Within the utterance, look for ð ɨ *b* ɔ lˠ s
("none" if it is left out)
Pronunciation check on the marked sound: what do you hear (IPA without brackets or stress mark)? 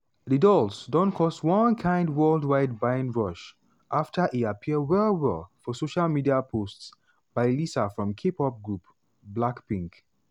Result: d